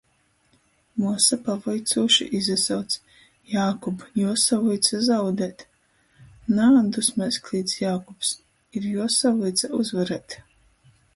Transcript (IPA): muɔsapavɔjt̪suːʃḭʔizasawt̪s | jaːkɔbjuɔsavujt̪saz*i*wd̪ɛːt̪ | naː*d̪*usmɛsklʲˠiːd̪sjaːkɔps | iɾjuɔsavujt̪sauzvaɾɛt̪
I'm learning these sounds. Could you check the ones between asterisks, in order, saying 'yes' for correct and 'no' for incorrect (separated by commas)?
no, yes